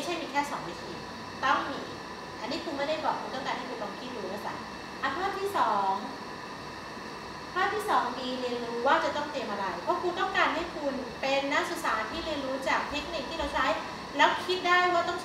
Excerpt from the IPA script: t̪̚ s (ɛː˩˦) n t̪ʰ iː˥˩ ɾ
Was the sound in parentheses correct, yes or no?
no